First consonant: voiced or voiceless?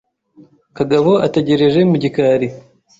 voiceless